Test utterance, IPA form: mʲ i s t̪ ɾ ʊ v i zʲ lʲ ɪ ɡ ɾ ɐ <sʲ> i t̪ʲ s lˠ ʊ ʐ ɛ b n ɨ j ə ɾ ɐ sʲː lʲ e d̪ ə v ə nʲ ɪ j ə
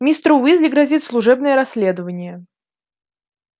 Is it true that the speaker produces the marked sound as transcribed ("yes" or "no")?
no